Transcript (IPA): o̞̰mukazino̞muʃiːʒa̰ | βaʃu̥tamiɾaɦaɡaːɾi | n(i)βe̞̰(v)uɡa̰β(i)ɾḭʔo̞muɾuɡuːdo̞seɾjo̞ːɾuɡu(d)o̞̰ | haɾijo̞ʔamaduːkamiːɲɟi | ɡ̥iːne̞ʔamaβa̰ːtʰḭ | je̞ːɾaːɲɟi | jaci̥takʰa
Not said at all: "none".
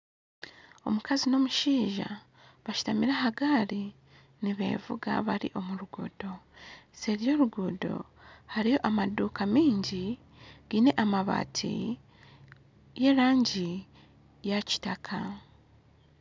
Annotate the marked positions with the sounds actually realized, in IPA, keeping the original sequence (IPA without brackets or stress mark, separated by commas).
i, v, a, d